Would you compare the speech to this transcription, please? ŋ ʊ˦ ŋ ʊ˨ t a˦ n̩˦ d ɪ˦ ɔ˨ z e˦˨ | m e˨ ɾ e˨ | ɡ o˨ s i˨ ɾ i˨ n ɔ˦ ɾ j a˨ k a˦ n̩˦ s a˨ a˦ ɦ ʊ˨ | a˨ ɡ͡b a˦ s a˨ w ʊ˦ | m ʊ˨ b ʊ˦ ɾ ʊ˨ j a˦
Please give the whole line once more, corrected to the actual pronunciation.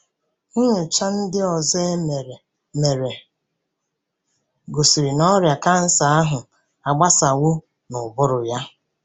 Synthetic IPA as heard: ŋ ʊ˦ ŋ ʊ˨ t͡ʃ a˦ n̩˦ d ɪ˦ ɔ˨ z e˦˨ | m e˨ ɾ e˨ | ɡ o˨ s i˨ ɾ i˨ n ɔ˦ ɾ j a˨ k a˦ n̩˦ s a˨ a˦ ɦ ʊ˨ | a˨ ɡ͡b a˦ s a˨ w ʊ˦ | n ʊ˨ b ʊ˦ ɾ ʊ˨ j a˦